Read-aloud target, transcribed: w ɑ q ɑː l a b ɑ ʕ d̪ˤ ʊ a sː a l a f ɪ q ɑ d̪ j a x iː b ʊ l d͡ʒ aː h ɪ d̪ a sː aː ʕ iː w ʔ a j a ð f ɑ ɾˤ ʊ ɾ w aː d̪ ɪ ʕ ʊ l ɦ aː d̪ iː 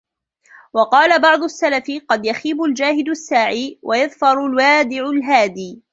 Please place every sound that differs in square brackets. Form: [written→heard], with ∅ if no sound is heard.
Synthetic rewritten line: w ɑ q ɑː l a b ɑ ʕ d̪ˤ ʊ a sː a l a f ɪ q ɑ d̪ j a x iː b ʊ l d͡ʒ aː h ɪ d̪ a sː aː ʕ iː w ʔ a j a ð f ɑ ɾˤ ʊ [ɾ→l] w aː d̪ ɪ ʕ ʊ l ɦ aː d̪ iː